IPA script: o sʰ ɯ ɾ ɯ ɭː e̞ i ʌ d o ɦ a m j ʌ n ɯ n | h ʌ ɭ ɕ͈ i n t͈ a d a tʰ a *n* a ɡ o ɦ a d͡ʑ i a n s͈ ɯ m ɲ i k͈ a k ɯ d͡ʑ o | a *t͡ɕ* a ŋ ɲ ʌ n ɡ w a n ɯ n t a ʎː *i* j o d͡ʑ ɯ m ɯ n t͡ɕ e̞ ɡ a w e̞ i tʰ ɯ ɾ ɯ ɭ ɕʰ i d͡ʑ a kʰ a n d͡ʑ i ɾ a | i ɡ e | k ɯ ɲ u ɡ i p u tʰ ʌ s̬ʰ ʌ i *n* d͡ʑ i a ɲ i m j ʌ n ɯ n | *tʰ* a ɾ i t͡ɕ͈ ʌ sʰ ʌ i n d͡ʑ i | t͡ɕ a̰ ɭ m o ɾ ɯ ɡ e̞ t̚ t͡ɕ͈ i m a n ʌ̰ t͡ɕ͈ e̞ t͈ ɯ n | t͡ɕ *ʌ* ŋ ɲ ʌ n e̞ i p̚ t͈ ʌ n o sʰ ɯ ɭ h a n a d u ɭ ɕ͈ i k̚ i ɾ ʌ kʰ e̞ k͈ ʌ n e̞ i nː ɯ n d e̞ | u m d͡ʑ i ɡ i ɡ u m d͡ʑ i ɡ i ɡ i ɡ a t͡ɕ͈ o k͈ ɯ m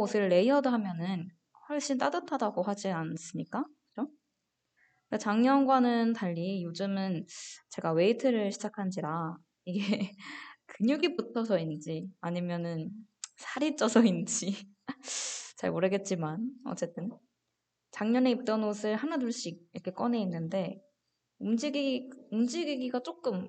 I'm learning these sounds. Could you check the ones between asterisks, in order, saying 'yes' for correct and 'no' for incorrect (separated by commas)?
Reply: no, yes, yes, yes, no, no